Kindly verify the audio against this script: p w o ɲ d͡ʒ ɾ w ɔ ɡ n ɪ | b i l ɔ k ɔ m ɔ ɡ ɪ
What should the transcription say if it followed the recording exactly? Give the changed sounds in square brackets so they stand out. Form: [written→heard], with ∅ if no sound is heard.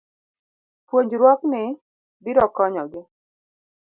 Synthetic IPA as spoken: p w o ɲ d͡ʒ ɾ w ɔ [ɡ→k] n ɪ | b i [l→ɾ] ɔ k ɔ [m→ɲ] ɔ ɡ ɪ